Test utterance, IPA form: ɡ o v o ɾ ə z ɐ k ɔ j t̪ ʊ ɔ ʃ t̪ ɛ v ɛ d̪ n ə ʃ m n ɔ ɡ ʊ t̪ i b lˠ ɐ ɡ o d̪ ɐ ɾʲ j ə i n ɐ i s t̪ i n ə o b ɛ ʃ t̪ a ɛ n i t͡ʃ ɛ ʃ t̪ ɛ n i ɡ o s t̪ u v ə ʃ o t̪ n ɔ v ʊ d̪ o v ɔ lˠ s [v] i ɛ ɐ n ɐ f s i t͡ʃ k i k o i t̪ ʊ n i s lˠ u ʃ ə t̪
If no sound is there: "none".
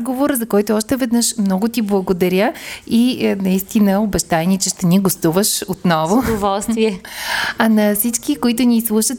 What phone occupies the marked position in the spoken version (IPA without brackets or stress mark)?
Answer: v